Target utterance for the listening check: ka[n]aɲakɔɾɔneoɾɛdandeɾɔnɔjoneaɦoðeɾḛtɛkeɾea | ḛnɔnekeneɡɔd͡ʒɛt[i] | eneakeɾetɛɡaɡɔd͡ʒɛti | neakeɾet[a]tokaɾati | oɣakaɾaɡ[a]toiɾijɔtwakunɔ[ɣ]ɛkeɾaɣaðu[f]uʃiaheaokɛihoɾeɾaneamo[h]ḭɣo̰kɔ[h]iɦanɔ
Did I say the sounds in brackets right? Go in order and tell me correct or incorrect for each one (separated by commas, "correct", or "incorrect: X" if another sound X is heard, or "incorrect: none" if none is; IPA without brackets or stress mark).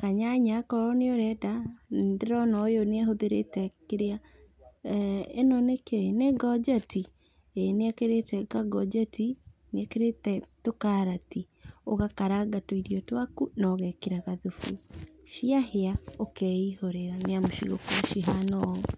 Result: incorrect: ɲ, correct, incorrect: ɛ, correct, correct, correct, incorrect: ʃ, incorrect: ʃ